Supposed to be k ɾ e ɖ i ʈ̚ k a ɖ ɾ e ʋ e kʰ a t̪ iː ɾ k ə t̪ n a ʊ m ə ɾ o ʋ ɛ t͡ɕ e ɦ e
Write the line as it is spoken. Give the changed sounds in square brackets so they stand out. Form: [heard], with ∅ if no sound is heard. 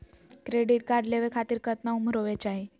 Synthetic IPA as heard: k ɾ e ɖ i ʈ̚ k a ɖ [l] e ʋ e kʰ a t̪ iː ɾ k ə t̪ n a [u] m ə ɾ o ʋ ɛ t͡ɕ [a] ɦ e